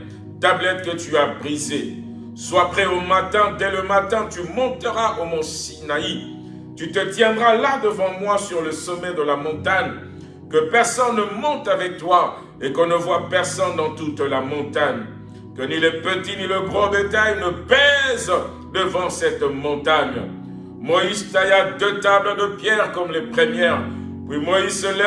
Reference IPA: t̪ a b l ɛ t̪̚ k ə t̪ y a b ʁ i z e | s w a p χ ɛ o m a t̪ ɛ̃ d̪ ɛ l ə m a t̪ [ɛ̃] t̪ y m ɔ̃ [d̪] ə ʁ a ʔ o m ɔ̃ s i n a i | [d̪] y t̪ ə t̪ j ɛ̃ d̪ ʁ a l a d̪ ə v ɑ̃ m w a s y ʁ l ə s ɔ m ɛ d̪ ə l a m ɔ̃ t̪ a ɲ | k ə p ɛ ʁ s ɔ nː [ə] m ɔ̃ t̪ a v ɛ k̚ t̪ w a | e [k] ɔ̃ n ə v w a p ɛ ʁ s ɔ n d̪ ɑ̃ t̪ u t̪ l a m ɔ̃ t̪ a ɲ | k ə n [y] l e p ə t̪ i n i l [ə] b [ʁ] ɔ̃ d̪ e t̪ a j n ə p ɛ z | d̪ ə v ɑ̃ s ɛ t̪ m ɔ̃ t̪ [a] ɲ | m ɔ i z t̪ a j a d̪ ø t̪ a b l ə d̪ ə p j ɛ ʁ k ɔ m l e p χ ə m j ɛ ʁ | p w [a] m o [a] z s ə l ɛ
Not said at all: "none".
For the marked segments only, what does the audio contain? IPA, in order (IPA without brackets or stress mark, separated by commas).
ɛ̃, t̪, t̪, ə, k, i, ə, ʁ, a, i, i